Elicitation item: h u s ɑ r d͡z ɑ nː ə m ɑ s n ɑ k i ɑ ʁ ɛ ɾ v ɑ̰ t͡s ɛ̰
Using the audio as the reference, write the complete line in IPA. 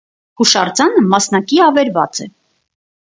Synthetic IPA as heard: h u ʃ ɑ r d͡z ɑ n ə m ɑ s n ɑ k i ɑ v ɛ ɾ v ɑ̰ t͡s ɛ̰